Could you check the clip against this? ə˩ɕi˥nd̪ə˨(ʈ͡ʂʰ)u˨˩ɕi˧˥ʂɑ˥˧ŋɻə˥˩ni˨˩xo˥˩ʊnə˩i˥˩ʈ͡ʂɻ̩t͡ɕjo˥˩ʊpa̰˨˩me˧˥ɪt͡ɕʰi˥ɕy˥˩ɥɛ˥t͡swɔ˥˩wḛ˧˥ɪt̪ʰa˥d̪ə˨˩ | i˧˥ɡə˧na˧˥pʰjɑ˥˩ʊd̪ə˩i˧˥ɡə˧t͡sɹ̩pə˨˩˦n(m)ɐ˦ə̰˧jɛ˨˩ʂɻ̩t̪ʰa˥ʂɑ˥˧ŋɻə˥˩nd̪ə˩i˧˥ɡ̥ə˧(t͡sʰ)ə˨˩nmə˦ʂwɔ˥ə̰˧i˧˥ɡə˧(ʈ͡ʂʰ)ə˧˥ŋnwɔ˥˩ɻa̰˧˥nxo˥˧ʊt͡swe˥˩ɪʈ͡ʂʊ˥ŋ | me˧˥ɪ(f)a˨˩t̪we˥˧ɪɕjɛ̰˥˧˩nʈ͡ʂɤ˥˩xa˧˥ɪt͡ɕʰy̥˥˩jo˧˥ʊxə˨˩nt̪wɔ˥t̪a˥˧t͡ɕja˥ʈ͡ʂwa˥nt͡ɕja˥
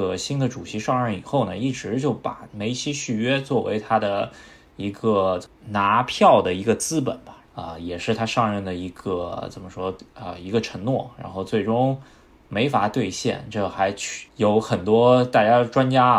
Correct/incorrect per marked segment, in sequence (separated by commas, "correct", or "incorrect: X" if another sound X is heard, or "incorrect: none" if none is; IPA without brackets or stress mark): incorrect: ʈ͡ʂ, incorrect: b, incorrect: t͡s, correct, correct